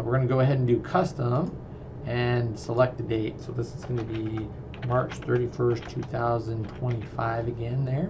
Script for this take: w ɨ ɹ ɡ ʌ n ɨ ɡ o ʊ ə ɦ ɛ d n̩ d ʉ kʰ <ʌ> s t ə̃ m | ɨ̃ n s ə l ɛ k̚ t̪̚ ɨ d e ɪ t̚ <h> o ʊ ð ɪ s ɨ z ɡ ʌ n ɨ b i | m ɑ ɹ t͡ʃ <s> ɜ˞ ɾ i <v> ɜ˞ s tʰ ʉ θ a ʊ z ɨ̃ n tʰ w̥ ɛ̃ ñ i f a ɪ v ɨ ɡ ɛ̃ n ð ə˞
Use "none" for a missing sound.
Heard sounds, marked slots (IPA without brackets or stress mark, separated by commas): ʌ, s, θ, f